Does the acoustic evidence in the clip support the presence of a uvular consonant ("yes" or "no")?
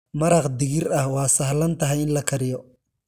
yes